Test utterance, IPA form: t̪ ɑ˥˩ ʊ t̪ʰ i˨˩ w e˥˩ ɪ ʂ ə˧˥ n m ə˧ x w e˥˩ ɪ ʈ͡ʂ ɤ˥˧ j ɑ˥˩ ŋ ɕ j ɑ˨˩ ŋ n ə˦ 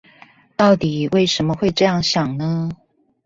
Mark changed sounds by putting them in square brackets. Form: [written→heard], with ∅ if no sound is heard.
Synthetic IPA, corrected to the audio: t̪ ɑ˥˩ ʊ [t̪ʰ→t̪] i˨˩ w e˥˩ ɪ ʂ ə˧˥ n m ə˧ x w [e˥˩→e˥˧] ɪ ʈ͡ʂ ɤ˥˧ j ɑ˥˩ ŋ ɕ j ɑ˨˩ ŋ n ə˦